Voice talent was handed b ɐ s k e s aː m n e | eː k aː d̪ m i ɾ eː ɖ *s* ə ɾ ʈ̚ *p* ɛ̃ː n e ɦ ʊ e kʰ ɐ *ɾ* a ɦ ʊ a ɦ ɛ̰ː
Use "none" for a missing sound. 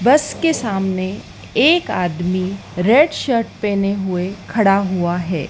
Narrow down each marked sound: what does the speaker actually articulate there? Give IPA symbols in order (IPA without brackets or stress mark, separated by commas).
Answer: ʃ, p, ɽ